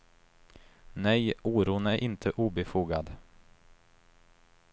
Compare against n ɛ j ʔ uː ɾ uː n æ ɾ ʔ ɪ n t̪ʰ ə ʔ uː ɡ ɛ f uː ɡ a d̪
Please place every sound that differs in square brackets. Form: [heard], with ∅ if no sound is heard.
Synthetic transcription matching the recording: n ɛ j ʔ uː ɾ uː n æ ɾ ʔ ɪ n t̪ʰ ə ʔ uː [b] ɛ f uː ɡ a d̪